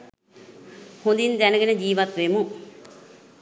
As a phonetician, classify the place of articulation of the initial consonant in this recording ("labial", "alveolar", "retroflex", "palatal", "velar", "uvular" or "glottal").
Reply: glottal